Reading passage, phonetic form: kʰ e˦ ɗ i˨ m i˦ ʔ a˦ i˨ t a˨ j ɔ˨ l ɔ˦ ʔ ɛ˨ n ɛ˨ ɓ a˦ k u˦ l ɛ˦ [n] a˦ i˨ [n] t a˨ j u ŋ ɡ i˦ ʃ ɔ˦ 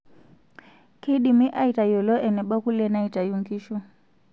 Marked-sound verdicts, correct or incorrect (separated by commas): correct, incorrect